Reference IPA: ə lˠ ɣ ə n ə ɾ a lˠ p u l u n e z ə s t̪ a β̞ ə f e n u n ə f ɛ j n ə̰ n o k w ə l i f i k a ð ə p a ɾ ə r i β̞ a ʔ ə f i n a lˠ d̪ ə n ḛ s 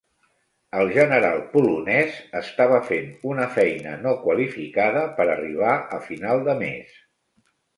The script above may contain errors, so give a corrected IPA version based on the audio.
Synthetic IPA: ə lˠ ʒ ə n ə ɾ a lˠ p u l u n ɛ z ə s t̪ a β̞ ə f e n u n ə f ɛ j n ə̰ n o k w ə l i f i k a ð ə p ə ɾ ə r i β̞ a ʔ ə f i n a lˠ d̪ ə m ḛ s